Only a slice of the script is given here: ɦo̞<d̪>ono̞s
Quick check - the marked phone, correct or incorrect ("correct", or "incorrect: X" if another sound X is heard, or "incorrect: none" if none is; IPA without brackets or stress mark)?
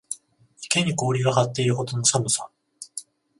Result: incorrect: t̪